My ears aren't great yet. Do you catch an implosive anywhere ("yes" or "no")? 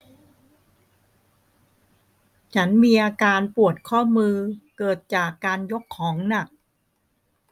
no